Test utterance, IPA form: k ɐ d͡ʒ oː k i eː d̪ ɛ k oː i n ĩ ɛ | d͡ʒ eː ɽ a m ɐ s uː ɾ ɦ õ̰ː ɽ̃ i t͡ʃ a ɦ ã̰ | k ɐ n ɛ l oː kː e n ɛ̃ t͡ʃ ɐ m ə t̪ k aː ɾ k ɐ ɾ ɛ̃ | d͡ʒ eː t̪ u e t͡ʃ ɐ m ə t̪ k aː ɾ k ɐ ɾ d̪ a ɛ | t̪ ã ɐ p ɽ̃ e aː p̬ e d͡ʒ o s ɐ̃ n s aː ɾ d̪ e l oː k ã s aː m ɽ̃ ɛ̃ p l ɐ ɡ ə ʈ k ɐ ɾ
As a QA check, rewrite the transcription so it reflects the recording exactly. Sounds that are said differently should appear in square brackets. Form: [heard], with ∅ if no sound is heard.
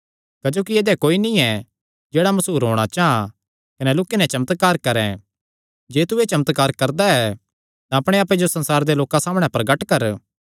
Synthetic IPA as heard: k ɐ d͡ʒ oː k i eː d̪ ɛ k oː i n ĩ ɛ | d͡ʒ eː ɽ a m ɐ s uː ɾ ɦ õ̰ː ɽ̃ [a] t͡ʃ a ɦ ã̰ | k ɐ n ɛ l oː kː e n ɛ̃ t͡ʃ ɐ m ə t̪ k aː ɾ k ɐ ɾ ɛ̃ | d͡ʒ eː t̪ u e t͡ʃ ɐ m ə t̪ k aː ɾ k ɐ ɾ d̪ a ɛ | t̪ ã ɐ p ɽ̃ e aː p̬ e d͡ʒ o s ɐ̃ n s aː ɾ d̪ e l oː k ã s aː m ɽ̃ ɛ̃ p [ɾ] ɐ ɡ ə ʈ k ɐ ɾ